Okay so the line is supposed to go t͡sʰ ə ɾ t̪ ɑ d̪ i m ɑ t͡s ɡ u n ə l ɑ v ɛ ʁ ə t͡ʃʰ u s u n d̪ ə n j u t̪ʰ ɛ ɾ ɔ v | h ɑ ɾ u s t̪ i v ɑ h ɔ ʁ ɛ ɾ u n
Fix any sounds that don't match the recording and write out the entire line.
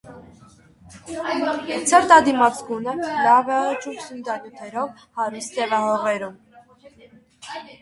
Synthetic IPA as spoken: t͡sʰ ə ɾ t̪ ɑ d̪ i m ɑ t͡s ɡ u n ə l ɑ v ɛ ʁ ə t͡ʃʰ u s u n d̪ ɑ n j u t̪ʰ ɛ ɾ ɔ v | h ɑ ɾ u s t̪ ɛ v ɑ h ɔ ʁ ɛ ɾ u m